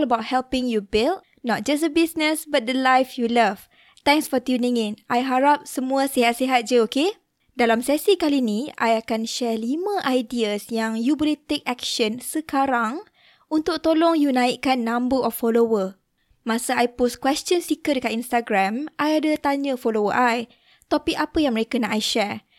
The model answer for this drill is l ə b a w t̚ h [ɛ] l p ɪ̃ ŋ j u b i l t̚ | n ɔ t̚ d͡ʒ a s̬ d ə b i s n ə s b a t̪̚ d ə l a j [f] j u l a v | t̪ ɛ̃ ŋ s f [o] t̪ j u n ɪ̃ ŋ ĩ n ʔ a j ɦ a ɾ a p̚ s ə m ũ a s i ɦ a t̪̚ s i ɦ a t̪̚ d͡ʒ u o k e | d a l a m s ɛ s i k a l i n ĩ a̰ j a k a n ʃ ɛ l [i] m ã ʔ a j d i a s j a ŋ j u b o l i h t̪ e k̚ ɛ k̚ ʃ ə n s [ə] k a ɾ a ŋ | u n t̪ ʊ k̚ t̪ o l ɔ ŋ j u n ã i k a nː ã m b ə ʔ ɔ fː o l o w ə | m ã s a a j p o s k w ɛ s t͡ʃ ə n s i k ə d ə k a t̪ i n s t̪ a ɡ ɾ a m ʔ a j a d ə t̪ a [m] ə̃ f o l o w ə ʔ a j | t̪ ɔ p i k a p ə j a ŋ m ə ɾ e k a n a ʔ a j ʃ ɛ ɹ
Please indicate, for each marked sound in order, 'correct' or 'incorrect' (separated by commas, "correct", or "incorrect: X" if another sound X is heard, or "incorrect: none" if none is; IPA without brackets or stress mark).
correct, correct, incorrect: ɔ, correct, correct, incorrect: ɲ